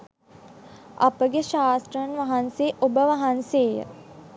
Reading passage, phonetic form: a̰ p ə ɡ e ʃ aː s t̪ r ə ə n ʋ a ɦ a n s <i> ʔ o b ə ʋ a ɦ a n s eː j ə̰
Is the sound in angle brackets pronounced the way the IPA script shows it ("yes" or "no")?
no